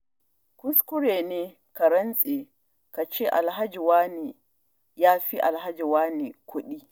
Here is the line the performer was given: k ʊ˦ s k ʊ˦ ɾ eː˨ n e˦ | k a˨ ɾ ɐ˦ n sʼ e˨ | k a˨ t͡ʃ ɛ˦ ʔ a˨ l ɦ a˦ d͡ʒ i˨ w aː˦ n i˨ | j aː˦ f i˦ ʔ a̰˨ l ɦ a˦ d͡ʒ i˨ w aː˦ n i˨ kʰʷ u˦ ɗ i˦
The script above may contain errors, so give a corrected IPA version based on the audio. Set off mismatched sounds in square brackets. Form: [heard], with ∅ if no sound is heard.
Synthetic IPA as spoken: k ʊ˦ s k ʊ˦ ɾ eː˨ n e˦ | k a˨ ɾ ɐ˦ n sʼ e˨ | k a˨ t͡ʃ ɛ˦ ʔ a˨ l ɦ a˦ d͡ʒ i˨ w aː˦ n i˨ | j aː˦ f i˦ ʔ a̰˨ l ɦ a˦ d͡ʒ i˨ w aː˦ n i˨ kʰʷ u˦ ɗ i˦